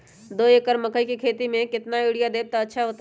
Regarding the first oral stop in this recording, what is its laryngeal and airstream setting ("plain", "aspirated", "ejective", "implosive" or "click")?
plain